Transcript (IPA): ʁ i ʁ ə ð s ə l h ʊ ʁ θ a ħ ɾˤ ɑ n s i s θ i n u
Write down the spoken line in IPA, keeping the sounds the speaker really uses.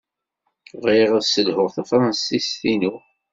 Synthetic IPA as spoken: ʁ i ʁ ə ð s ə l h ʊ ʁ θ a f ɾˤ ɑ n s i s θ i n u